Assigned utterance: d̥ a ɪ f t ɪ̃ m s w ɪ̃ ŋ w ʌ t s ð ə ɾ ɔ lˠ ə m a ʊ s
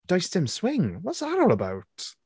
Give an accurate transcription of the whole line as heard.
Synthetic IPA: d̥ a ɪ s t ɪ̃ m s w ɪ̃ ŋ w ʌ t s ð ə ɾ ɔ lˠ ə b a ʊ t